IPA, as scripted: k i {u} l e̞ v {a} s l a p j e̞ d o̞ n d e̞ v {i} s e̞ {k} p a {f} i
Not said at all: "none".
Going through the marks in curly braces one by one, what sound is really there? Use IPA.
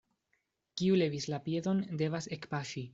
u, i, a, k, ʃ

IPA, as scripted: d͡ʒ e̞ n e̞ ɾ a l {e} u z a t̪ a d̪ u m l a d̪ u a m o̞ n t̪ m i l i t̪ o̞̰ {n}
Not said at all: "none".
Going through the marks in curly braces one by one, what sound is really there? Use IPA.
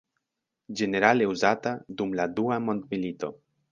e, none

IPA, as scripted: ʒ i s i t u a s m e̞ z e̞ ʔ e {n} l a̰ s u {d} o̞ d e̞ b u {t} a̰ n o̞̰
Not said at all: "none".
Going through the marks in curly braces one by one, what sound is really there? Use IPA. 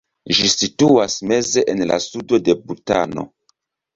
n, d, t

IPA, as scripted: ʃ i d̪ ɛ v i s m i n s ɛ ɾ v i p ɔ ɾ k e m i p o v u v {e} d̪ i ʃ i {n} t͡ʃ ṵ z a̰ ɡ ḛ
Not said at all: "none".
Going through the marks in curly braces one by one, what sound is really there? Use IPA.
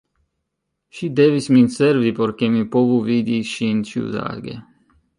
i, n

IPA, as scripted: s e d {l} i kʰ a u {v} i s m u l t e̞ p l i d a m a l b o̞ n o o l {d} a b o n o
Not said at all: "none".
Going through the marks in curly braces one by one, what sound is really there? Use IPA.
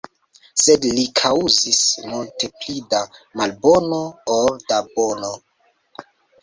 l, z, d

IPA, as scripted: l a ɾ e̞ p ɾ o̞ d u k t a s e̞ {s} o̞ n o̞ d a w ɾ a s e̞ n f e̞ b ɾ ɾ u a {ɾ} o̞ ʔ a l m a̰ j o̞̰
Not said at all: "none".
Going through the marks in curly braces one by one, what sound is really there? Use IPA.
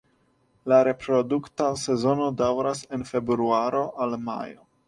z, ɾ

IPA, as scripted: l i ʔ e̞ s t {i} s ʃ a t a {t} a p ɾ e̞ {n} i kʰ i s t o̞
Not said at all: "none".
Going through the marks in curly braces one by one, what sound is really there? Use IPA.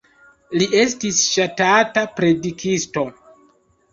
i, t, d

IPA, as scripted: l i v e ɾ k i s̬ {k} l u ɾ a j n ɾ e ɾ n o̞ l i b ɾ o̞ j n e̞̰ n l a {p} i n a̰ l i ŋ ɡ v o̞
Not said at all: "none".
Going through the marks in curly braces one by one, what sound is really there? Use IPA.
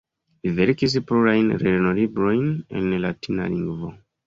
p, t

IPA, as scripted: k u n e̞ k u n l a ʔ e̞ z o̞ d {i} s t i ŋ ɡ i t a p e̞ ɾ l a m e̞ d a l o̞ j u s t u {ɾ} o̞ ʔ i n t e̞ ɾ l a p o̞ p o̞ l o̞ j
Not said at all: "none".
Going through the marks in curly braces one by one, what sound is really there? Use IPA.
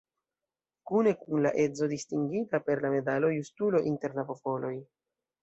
i, l

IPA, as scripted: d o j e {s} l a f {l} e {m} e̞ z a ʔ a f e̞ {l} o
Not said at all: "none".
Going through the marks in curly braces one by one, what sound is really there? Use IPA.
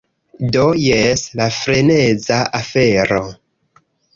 s, ɾ, n, ɾ

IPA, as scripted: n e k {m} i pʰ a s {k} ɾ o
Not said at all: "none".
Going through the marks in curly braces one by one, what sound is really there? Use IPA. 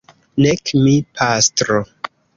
m, t

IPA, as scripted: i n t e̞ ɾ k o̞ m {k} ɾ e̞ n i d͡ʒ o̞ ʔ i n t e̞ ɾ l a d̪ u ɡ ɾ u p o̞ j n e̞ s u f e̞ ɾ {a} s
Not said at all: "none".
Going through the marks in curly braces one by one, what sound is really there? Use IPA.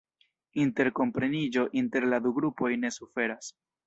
p, a

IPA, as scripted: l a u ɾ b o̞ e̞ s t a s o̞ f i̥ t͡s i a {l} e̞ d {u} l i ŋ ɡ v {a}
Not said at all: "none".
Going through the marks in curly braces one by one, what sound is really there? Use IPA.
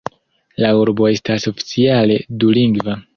l, u, a

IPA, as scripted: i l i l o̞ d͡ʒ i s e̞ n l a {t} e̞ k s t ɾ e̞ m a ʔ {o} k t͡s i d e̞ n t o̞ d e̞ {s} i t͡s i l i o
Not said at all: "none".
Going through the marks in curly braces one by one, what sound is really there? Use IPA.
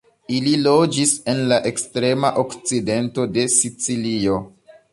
ʔ, o, s

